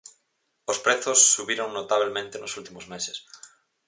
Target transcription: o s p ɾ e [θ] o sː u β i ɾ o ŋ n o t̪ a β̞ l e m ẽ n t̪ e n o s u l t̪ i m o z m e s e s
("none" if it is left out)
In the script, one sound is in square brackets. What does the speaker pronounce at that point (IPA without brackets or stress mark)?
θ